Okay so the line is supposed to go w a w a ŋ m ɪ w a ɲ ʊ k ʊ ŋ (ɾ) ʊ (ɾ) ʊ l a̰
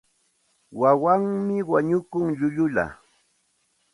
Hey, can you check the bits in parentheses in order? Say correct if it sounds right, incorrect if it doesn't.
incorrect: ʎ, incorrect: ʎ

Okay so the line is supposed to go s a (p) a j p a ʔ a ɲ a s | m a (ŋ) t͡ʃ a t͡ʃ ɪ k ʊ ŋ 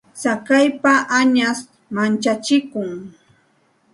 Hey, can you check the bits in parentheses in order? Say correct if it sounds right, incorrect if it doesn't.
incorrect: k, incorrect: n

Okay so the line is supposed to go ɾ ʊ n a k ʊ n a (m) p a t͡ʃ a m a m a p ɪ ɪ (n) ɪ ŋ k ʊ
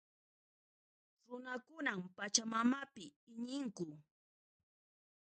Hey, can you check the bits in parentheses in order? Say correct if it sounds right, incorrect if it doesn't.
correct, incorrect: ɲ

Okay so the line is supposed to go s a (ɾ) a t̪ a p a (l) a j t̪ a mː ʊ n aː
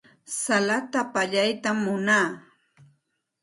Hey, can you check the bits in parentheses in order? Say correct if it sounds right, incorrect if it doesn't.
incorrect: l, incorrect: ʎ

